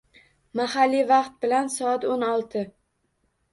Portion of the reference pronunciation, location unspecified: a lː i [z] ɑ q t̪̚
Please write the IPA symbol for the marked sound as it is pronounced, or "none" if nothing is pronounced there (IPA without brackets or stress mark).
v